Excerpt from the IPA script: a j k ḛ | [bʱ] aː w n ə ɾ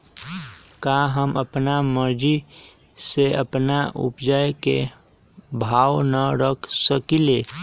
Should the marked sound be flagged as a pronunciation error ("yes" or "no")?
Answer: no